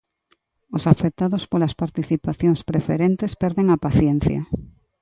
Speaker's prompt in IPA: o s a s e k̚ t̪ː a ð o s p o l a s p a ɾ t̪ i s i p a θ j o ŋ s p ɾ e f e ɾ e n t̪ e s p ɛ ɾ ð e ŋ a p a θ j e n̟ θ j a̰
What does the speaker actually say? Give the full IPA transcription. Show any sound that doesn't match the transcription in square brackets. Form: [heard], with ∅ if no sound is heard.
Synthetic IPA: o s a [f] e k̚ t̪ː a ð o s p o l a s p a ɾ t̪ i [θ] i p a θ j o ŋ s p ɾ e f e ɾ e n t̪ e s p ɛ ɾ ð e ŋ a p a θ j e n̟ θ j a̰